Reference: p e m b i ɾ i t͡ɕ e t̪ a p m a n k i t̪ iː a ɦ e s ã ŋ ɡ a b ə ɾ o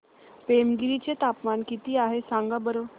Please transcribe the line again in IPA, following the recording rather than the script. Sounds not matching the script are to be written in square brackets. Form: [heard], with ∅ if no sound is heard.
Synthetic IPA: p e m [ɡ] i ɾ i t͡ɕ e t̪ a p m a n k i t̪ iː a ɦ e s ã ŋ ɡ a b ə ɾ o